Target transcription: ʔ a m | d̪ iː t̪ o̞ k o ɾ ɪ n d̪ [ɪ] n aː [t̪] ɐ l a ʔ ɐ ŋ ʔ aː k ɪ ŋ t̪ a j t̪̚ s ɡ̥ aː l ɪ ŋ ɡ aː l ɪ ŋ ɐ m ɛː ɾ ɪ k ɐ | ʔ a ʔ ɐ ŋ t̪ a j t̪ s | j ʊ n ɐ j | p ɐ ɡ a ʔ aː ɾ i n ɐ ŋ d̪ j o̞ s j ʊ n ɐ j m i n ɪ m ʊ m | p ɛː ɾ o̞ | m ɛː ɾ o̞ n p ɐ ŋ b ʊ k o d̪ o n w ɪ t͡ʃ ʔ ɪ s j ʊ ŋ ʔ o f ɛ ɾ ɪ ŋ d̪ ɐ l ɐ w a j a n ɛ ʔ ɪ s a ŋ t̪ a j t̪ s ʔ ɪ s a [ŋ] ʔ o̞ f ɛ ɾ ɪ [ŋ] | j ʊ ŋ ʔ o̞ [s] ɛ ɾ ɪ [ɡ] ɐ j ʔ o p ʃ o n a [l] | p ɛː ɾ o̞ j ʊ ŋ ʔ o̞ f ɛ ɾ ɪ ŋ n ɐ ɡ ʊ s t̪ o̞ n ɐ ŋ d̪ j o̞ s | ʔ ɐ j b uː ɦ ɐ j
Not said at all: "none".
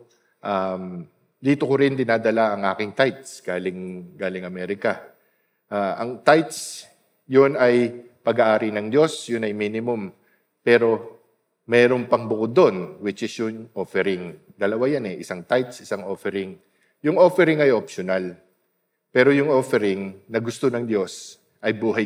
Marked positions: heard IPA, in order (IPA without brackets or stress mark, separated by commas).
ɪ, d̪, ŋ, ŋ, f, ŋ, l